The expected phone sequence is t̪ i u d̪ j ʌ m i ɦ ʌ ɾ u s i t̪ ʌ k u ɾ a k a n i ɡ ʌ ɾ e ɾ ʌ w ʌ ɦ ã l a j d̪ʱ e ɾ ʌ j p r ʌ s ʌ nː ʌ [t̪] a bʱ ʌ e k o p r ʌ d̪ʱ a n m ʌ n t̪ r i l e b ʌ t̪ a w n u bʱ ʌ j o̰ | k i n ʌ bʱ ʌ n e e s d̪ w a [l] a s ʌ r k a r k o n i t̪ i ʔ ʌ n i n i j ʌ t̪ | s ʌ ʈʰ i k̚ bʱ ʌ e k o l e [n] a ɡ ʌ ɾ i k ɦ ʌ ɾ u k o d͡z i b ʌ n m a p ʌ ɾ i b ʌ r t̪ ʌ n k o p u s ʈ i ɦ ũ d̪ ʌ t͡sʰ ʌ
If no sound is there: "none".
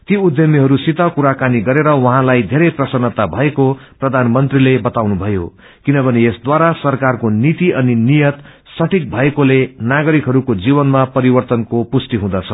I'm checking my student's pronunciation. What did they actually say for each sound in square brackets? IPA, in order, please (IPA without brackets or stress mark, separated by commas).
t̪, ɾ, n